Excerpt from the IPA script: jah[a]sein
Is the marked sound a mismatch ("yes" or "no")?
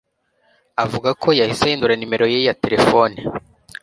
yes